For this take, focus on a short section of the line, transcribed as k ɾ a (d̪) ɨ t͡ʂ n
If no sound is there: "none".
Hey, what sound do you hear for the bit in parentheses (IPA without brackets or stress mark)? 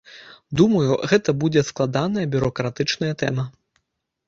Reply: t̪